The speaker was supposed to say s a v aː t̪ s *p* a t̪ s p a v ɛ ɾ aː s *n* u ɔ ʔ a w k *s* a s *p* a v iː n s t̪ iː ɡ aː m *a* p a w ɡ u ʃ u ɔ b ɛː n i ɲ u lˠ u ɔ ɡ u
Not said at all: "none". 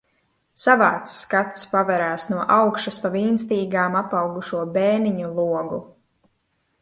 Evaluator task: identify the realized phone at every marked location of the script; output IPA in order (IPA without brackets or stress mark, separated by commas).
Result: k, n, ʃ, p, a